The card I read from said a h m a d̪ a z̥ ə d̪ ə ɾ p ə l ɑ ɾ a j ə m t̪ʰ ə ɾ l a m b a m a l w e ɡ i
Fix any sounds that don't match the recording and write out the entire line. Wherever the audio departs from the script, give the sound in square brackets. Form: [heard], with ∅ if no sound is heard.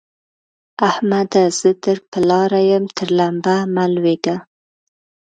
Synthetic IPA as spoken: a h m a d̪ a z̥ ə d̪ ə ɾ p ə l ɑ ɾ a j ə m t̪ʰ ə ɾ l a m b a m a l w e ɡ [a]